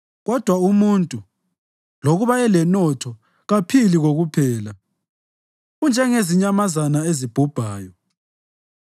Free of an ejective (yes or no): no